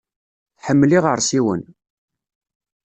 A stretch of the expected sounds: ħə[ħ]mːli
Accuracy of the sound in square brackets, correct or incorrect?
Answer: incorrect